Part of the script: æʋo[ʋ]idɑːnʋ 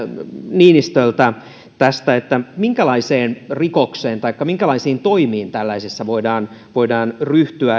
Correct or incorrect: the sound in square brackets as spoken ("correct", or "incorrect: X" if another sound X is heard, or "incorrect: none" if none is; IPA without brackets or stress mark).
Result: incorrect: none